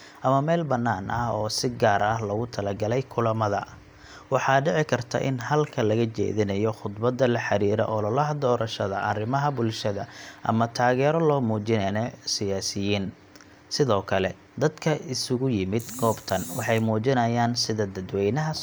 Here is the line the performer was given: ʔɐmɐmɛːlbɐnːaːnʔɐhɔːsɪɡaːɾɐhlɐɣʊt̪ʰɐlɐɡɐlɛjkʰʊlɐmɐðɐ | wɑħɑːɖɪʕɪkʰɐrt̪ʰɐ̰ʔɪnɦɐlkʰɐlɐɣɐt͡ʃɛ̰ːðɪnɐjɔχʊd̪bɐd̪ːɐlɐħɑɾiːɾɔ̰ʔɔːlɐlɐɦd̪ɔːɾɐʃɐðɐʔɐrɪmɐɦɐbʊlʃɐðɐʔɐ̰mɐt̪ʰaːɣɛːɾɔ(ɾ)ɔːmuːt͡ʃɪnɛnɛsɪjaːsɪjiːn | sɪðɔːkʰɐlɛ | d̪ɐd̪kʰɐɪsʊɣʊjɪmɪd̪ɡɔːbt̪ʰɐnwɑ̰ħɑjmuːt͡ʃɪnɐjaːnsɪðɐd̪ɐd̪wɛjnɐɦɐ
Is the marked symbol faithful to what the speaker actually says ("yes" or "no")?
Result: no